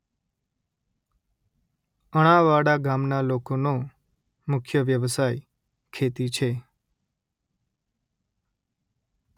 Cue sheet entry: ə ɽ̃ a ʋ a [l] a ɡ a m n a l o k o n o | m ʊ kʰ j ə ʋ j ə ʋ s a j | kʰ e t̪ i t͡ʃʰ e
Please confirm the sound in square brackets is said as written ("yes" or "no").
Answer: no